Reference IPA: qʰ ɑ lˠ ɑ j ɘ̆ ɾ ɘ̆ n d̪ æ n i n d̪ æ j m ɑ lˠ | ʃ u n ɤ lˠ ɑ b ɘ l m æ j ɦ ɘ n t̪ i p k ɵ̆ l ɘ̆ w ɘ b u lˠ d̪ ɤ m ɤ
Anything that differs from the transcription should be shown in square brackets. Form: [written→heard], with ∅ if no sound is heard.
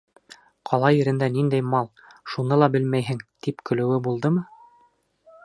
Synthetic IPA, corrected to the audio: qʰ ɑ lˠ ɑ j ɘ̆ ɾ ɘ̆ n d̪ æ n i n d̪ æ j m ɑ lˠ | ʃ u n ɤ lˠ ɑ b ɘ l m æ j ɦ ɘ [n→ŋ] t̪ i p k ɵ̆ l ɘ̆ w ɘ b u lˠ d̪ ɤ m ɤ